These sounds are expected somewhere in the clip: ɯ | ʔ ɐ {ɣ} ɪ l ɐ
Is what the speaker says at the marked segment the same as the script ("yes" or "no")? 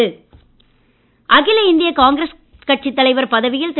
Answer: yes